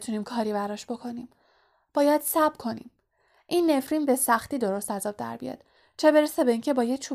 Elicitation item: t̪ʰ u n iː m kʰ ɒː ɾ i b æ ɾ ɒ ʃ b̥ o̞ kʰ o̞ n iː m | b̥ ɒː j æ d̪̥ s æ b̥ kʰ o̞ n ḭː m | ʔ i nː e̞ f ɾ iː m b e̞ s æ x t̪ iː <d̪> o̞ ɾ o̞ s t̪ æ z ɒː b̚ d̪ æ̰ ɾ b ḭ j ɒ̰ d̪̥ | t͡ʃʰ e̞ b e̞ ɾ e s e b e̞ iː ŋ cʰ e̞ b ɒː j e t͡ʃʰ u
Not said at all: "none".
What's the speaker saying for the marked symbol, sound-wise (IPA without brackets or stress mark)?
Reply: d̪